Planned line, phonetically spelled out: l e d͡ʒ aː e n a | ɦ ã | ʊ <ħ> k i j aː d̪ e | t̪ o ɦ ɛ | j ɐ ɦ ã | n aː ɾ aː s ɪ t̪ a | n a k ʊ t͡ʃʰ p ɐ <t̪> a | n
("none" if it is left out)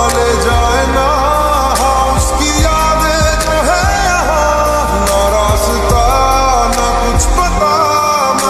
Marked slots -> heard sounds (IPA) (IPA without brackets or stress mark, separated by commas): s, t̪